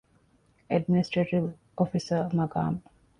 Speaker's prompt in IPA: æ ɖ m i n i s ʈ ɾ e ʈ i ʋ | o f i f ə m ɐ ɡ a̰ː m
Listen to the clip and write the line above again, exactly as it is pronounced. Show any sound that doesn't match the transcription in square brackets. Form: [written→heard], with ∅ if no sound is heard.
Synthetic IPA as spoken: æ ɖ m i n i s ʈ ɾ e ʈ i ʋ | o f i [f→s] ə m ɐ ɡ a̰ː m